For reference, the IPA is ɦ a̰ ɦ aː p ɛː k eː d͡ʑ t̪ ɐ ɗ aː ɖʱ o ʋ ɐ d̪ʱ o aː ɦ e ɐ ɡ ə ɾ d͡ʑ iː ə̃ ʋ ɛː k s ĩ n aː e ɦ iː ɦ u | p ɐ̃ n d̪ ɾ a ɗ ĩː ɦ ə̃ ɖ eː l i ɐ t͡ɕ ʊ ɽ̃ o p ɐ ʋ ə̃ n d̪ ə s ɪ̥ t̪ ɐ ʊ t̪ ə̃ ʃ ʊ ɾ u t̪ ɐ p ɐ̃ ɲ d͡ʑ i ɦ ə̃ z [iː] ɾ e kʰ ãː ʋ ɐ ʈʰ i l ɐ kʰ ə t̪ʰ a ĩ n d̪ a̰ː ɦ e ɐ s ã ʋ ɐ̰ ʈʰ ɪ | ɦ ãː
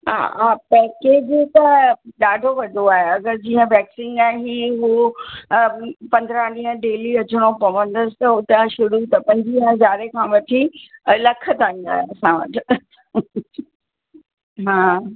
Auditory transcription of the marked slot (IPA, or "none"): aː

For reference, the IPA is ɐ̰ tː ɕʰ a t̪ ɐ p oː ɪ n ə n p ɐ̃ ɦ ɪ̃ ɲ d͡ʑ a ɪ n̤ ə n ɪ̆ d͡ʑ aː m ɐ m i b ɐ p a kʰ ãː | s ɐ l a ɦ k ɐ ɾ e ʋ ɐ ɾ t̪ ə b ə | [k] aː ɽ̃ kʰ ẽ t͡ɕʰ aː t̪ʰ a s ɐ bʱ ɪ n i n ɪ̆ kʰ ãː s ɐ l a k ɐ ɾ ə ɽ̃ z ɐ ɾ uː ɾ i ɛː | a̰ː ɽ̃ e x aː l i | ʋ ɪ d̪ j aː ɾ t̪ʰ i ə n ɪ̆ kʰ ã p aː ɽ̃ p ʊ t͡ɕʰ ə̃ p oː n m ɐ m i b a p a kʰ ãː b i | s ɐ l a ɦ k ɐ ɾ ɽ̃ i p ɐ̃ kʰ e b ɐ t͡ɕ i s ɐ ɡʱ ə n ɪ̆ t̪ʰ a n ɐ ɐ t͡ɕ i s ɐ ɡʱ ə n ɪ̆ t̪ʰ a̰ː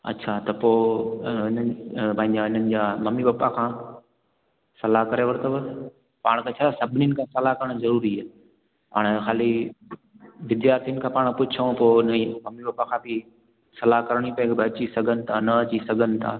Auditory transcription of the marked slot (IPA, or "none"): p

